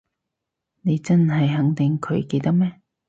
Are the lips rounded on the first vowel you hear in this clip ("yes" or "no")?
no